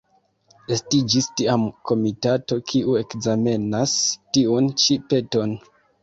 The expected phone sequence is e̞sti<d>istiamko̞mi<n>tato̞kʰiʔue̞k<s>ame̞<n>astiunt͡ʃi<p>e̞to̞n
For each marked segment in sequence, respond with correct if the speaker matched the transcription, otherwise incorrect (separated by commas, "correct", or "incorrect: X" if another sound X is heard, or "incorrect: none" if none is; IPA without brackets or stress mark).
incorrect: d͡ʒ, incorrect: none, incorrect: z, correct, correct